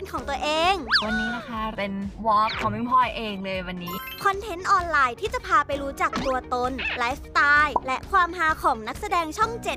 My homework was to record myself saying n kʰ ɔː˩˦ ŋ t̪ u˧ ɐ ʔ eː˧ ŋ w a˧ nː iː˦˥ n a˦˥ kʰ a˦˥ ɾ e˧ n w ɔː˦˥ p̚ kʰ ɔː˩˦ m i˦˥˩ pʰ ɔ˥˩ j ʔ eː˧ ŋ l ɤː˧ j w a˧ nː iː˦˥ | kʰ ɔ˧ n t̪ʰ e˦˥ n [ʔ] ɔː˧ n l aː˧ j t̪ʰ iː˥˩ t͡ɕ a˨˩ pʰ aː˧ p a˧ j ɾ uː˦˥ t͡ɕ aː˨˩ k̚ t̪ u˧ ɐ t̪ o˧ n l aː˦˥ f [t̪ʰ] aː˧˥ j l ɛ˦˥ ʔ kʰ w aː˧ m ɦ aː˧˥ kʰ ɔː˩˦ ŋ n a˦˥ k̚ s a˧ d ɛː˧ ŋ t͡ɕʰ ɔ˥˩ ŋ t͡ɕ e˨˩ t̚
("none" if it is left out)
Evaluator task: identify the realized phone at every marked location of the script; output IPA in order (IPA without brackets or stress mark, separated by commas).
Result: ʔ, t̪